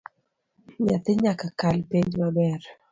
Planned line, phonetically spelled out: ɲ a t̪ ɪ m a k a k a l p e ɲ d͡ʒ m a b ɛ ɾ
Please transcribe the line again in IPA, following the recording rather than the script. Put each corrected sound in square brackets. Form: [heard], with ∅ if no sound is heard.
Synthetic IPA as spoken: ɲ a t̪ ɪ [ɲ] a k a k a l p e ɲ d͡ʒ m a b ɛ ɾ